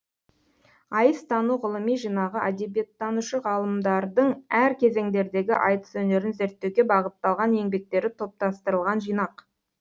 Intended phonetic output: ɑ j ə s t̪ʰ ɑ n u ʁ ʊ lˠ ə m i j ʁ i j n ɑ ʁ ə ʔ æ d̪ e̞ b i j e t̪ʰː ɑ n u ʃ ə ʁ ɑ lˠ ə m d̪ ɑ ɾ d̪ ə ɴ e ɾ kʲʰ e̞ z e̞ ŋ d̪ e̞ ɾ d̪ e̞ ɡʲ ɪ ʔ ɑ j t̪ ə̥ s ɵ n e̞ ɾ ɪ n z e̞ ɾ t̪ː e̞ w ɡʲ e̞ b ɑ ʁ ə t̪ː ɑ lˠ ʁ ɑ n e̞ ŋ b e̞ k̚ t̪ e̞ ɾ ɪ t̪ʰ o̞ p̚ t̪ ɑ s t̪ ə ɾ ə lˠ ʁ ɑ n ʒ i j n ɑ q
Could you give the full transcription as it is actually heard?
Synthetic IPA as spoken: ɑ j ə s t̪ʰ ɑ n u ʁ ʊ lˠ ə m i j ʒ i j n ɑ ʁ ə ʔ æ d̪ e̞ b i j e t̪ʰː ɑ n u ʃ ə ʁ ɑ lˠ ə m d̪ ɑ ɾ d̪ ə ɴ æ ɾ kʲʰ e̞ z e̞ ŋ d̪ e̞ ɾ d̪ e̞ ɡʲ ɪ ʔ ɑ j t̪ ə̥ s ɵ n e̞ ɾ ɪ n z e̞ ɾ t̪ː e̞ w ɡʲ e̞ b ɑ ʁ ə t̪ː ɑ lˠ ʁ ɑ n e̞ ŋ b e̞ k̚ t̪ e̞ ɾ ɪ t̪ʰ o̞ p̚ t̪ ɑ s t̪ ə ɾ ə lˠ ʁ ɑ n ʒ i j n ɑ q